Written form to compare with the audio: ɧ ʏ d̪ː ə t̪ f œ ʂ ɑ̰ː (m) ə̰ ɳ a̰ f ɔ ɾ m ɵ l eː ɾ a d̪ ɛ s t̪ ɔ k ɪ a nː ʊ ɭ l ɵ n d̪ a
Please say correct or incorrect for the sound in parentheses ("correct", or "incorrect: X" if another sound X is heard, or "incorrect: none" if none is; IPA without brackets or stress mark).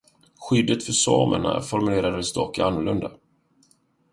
correct